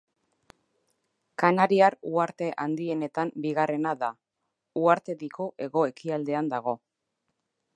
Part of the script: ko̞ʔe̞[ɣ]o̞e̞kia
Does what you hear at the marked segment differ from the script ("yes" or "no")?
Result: no